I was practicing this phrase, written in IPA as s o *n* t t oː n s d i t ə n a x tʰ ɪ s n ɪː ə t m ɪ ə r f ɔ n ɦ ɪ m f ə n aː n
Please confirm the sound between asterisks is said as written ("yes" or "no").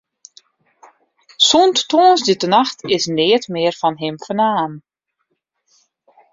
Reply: yes